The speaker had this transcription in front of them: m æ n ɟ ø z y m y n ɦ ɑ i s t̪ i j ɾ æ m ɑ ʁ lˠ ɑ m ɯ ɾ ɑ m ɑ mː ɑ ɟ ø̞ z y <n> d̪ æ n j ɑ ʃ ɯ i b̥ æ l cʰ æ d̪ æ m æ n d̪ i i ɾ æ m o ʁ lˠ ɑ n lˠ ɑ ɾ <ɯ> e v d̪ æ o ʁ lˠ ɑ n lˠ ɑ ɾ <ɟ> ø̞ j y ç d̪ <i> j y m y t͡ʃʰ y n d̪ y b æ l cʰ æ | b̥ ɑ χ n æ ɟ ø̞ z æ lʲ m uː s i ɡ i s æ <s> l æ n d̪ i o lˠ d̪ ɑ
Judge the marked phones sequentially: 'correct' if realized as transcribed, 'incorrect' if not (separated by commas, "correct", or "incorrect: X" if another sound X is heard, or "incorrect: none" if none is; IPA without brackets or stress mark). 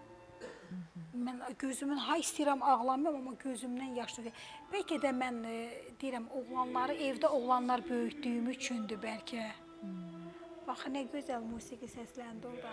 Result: incorrect: m, correct, incorrect: b, incorrect: y, correct